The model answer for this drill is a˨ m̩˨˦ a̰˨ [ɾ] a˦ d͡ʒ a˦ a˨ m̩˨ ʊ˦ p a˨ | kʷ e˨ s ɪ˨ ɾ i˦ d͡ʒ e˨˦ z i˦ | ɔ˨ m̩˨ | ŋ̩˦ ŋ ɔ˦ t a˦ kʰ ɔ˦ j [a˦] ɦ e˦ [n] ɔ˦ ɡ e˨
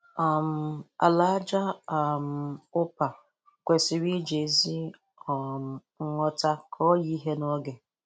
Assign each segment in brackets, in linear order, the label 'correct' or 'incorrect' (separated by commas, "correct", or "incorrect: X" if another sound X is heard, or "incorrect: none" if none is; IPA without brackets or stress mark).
incorrect: l, incorrect: i˦, correct